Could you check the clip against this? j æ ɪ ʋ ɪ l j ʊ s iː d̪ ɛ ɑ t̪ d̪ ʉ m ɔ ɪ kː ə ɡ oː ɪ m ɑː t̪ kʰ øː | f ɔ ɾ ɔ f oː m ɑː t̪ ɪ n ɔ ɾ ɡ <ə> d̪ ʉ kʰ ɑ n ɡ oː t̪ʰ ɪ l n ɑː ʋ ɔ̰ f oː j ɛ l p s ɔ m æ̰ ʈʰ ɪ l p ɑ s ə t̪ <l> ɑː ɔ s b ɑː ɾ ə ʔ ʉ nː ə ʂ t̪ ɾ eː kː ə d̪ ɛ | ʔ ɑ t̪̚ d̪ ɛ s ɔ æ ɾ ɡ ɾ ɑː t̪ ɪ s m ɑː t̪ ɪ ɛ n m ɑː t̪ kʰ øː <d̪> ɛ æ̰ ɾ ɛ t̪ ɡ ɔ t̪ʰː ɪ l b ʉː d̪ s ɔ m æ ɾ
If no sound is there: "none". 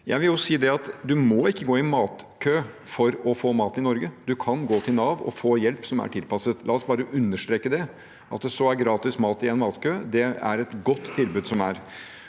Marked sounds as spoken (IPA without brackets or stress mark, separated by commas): ə, l, d̪